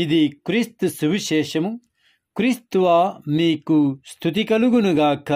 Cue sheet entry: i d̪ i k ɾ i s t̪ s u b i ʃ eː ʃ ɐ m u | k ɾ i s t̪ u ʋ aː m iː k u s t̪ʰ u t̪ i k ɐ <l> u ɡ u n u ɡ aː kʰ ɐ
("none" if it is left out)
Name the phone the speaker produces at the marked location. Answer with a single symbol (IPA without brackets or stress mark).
l